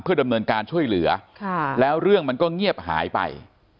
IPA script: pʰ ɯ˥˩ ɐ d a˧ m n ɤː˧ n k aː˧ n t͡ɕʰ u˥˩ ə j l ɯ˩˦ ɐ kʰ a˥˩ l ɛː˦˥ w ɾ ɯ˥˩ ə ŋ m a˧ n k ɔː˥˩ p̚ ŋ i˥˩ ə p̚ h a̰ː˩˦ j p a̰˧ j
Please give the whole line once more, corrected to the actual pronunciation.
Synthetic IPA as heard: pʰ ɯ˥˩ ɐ d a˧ m n ɤː˧ n k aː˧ n t͡ɕʰ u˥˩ ə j l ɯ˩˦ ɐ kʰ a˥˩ l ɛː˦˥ w ɾ ɯ˥˩ ə ŋ m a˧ n k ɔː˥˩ ŋ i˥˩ ə p̚ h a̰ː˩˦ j p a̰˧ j